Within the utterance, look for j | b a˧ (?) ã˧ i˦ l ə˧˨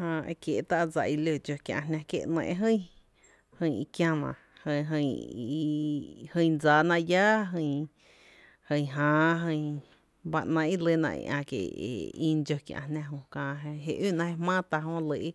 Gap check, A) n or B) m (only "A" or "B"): A